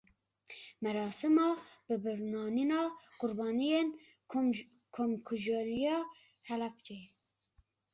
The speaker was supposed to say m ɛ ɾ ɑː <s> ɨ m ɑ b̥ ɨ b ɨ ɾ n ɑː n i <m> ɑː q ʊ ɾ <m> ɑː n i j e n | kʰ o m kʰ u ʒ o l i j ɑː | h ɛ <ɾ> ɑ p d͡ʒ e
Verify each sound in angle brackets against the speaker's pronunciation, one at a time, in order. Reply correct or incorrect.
correct, incorrect: n, incorrect: b, incorrect: l

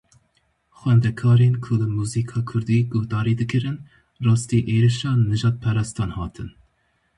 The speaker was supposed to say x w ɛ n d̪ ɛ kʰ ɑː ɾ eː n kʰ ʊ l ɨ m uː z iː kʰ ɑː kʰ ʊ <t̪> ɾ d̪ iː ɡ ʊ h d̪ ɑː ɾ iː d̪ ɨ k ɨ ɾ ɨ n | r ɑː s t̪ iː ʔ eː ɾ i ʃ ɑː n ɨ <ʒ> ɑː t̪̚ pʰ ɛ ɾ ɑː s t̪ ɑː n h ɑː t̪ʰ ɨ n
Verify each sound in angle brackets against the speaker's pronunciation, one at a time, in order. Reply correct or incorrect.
incorrect: none, correct

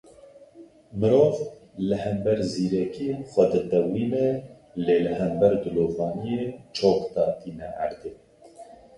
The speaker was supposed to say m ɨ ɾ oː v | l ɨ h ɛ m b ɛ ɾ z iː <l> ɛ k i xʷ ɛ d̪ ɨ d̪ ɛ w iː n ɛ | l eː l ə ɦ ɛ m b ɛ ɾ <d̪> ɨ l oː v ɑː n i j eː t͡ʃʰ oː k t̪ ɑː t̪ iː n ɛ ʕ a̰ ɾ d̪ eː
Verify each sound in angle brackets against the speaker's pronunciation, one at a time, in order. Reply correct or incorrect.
incorrect: ɾ, correct

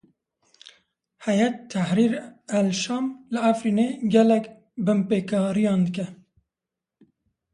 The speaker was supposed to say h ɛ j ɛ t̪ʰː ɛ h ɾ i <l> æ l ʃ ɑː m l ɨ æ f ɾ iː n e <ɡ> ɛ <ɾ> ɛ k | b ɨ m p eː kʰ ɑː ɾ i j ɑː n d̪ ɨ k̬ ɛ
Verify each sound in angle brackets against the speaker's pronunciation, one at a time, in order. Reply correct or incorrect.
incorrect: ɾ, correct, incorrect: l

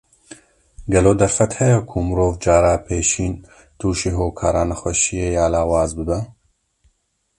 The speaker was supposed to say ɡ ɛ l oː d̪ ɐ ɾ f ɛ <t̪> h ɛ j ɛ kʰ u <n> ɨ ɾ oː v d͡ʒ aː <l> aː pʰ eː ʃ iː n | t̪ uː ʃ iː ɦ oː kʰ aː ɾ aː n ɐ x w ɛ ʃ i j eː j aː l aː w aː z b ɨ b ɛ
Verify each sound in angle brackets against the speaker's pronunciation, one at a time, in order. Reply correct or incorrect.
correct, incorrect: m, incorrect: ɾ

